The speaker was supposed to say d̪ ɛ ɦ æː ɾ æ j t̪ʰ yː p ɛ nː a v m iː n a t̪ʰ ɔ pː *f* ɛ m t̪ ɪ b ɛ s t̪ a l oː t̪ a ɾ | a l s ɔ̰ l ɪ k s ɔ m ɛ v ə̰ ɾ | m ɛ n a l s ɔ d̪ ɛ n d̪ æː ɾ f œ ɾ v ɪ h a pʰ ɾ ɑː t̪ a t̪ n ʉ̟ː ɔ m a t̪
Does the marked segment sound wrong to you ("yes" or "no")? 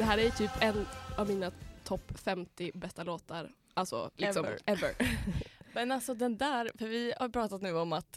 no